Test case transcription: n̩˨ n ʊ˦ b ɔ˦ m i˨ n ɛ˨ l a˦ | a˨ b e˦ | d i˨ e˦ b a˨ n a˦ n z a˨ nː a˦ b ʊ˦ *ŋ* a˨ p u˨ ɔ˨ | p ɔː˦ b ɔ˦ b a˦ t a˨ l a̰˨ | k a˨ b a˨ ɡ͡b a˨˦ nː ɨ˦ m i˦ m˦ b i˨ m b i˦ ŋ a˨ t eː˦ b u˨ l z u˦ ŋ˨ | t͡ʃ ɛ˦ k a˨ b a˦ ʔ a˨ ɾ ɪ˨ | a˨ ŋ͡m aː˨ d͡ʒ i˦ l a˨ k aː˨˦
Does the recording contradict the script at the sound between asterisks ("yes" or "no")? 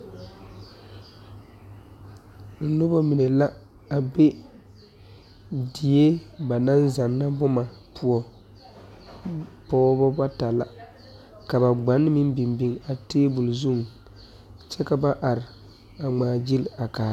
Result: yes